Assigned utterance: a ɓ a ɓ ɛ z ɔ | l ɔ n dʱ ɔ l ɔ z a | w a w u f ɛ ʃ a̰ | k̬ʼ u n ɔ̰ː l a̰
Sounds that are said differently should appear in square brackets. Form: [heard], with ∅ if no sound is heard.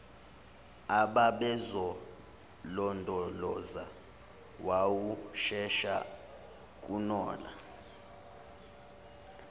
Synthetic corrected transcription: a ɓ a ɓ ɛ z ɔ | l ɔ n dʱ ɔ l ɔ z a | w a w u [ʃ] ɛ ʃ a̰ | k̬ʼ u n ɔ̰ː l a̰